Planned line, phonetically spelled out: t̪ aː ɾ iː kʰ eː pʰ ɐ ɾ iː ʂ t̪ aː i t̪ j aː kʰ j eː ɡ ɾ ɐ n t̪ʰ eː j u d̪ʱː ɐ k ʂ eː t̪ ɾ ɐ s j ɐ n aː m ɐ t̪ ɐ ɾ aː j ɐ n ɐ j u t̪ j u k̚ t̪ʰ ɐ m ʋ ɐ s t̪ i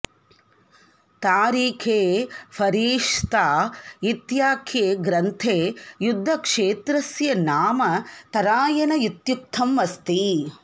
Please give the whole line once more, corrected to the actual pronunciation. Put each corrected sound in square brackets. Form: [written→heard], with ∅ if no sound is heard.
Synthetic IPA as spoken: t̪ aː ɾ iː kʰ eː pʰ ɐ ɾ iː ʂ t̪ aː i t̪ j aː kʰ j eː ɡ ɾ ɐ n t̪ʰ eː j u d̪ʱː ɐ k ʂ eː t̪ ɾ ɐ s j ɐ n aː m ɐ t̪ ɐ ɾ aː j ɐ n ɐ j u t̪ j u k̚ t̪ʰ ɐ m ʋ ɐ s t̪ i